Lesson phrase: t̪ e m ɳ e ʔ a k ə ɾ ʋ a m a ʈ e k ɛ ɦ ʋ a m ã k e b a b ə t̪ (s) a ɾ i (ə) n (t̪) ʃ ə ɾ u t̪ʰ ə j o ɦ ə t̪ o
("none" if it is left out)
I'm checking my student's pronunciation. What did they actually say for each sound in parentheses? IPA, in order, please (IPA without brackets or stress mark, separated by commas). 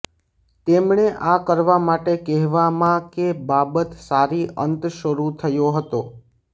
s, ə, t̪